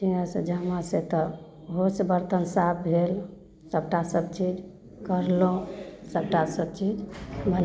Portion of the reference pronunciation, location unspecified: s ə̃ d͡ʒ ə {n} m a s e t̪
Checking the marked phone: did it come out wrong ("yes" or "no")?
yes